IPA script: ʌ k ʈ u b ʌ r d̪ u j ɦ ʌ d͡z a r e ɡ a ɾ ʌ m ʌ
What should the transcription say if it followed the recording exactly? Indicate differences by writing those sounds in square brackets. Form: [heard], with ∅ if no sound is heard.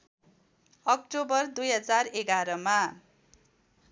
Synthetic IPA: ʌ k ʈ [o] b ʌ r d̪ u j ɦ ʌ d͡z a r e ɡ a ɾ ʌ m [a]